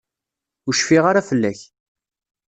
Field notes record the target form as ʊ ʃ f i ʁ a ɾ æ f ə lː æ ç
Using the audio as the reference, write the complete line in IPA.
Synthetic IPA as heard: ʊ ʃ f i ʁ a ɾ a f ə lː æ ç